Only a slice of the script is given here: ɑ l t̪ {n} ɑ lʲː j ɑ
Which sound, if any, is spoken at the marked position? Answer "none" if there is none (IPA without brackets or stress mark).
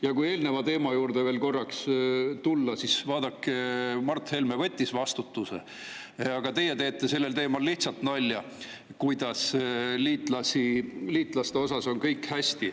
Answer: n